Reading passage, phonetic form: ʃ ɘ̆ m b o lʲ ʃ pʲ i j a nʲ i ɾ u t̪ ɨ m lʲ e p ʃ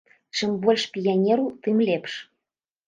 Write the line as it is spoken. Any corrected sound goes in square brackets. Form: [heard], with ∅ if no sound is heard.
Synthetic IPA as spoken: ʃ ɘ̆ m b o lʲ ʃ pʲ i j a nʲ [e] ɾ u t̪ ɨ m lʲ e p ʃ